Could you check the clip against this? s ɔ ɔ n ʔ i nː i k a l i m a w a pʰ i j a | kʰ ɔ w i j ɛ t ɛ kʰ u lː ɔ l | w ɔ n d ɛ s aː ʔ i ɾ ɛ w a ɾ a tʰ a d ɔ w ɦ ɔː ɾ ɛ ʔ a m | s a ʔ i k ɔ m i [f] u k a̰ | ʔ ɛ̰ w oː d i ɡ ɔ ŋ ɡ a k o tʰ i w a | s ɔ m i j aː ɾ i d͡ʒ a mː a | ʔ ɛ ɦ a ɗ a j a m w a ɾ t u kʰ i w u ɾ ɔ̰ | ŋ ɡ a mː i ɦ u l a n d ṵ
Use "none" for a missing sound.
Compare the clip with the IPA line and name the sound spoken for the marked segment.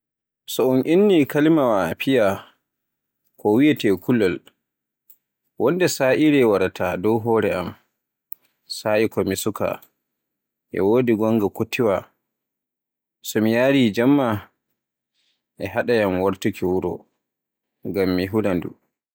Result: s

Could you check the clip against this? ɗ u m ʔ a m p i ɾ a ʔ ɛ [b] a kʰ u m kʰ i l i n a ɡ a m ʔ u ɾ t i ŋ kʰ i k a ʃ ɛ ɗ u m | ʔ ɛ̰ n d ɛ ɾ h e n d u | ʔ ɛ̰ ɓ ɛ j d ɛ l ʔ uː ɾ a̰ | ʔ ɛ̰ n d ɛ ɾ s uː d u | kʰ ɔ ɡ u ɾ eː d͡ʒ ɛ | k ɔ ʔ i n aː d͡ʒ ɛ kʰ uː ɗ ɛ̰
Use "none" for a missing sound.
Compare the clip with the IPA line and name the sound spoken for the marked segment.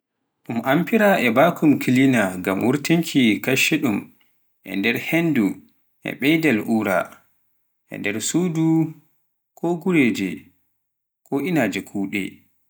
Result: b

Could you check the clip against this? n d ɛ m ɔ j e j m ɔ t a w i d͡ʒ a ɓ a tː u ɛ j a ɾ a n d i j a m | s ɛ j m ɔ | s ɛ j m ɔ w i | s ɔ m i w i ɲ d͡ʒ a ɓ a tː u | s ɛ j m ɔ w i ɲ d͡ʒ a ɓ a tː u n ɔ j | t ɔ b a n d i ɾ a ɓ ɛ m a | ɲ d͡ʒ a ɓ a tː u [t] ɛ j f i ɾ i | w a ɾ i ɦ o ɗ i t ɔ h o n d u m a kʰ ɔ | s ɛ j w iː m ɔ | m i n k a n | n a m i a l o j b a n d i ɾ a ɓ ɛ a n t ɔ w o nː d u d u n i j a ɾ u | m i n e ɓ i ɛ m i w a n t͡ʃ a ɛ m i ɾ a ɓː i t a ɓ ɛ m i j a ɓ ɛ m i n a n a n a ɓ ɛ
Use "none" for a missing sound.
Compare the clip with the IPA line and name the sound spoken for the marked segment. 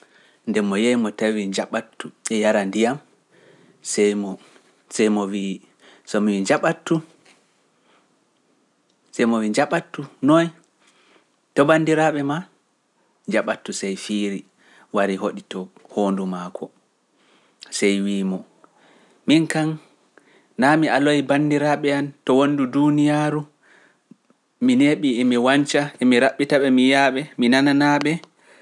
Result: s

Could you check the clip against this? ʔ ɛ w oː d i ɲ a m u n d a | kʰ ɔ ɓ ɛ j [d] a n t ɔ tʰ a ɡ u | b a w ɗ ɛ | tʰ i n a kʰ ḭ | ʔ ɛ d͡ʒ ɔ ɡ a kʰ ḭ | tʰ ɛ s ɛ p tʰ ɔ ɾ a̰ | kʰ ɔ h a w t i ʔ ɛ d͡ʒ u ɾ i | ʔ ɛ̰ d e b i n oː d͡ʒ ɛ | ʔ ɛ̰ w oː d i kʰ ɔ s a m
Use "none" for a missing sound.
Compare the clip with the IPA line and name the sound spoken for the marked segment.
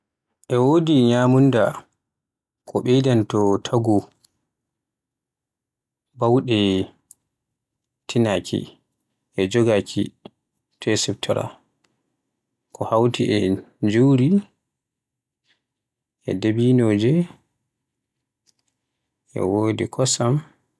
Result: d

